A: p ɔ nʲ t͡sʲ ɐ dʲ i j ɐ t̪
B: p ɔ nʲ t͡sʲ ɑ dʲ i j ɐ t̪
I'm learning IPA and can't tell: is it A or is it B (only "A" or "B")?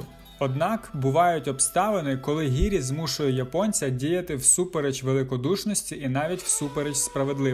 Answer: A